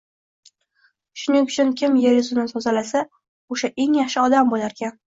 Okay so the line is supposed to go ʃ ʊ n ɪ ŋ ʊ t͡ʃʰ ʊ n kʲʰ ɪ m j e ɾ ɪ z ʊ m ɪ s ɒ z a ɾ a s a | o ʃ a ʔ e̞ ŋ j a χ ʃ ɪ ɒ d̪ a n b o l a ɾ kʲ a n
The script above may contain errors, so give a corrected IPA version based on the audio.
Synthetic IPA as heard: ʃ ʊ n ɪ ŋ ʊ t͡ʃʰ ʊ n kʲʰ ɪ m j e ɾ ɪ z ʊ n ɪ s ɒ z a l a s a | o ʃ a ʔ e̞ ŋ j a χ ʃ ɪ ɒ d̪ a m b o l a ɾ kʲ a n